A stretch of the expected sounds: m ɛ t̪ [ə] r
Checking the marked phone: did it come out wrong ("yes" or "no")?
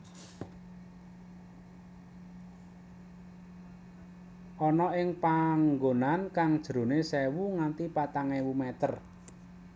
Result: no